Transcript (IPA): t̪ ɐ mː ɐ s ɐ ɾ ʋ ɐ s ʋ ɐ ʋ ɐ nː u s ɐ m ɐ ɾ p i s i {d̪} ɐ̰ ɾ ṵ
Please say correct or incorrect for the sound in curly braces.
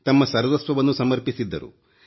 incorrect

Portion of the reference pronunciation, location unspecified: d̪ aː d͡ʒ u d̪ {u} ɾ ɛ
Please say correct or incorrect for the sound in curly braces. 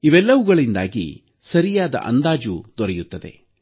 incorrect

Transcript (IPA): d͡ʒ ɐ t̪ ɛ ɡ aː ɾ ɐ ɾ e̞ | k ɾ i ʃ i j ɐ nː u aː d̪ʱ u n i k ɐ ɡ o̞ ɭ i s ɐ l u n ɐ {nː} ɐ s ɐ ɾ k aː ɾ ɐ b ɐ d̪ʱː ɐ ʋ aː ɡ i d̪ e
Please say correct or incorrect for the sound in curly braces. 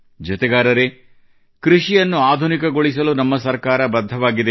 incorrect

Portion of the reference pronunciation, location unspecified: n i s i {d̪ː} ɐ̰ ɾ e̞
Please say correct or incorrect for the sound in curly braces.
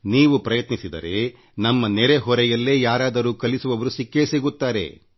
incorrect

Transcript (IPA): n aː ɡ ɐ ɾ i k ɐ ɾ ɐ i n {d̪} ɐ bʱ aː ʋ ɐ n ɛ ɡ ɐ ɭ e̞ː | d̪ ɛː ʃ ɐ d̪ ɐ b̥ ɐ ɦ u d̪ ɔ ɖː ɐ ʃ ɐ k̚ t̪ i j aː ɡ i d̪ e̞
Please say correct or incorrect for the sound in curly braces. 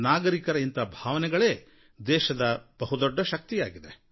incorrect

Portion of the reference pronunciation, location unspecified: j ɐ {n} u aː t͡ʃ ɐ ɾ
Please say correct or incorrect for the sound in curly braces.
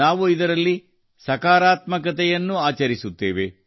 incorrect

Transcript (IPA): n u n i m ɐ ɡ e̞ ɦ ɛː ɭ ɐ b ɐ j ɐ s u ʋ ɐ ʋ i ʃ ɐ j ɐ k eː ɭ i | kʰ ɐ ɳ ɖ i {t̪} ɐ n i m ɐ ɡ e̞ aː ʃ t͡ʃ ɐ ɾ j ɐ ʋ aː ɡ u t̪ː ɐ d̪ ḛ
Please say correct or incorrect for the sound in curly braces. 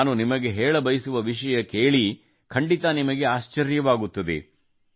correct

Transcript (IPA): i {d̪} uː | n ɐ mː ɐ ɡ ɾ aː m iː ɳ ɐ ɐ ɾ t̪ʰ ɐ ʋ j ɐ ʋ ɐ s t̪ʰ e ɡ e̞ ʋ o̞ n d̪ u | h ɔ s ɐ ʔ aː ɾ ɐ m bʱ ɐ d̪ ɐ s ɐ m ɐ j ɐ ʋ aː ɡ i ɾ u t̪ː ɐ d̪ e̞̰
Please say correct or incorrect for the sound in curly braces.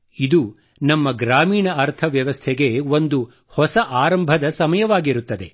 correct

